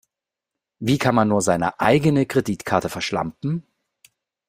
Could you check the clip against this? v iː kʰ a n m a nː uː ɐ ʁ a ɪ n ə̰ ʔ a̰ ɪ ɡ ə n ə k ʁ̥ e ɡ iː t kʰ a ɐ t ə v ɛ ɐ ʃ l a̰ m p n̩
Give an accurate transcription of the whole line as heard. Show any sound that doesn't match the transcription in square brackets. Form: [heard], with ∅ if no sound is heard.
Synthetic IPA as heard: v iː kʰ a n m a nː uː ɐ [z] a ɪ n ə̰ ʔ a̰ ɪ ɡ ə n ə k ʁ̥ e [d] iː t kʰ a ɐ t ə [f] ɛ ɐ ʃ l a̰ m p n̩